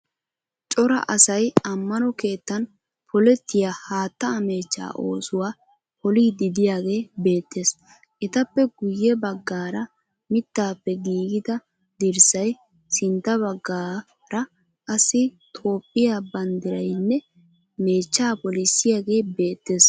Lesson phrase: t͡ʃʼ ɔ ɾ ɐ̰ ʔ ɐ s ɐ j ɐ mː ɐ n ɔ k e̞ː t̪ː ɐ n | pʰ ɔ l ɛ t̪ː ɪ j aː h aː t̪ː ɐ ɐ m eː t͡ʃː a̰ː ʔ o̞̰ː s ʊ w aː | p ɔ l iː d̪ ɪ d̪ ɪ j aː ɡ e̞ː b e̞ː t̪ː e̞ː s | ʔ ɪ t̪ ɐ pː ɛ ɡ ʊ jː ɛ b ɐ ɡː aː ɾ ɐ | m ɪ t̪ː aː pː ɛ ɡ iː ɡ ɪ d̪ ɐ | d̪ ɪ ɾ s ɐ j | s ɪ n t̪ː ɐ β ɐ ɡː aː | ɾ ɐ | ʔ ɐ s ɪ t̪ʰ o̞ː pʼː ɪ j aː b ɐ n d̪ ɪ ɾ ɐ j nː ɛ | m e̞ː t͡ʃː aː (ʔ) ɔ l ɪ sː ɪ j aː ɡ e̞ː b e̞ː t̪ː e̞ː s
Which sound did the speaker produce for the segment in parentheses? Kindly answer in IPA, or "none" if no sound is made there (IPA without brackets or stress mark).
p